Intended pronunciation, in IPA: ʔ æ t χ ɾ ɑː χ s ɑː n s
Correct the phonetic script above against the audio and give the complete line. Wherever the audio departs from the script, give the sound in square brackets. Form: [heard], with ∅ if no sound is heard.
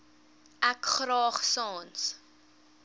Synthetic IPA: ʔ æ [k] χ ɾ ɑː χ s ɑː n s

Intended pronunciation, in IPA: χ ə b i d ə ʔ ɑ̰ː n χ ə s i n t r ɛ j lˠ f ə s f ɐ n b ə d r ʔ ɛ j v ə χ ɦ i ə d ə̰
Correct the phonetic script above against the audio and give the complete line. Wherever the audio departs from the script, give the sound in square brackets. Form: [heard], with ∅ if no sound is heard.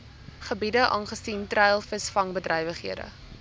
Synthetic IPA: χ ə b i d ə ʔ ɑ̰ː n χ ə s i n t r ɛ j lˠ f ə s f ɐ [ŋ] b ə d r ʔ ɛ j v ə χ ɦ i ə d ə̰

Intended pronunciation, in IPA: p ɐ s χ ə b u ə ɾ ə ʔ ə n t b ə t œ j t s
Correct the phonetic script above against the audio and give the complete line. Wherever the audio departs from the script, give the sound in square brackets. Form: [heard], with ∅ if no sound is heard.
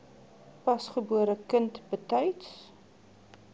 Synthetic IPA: p ɐ s χ ə b u ə ɾ ə [k] ə n t b ə t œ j t s

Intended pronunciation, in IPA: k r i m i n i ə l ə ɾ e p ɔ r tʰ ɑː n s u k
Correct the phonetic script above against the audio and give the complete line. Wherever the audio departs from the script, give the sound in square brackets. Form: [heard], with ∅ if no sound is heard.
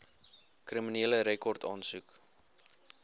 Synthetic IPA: k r i m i n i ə l ə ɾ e [k] ɔ r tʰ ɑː n s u k

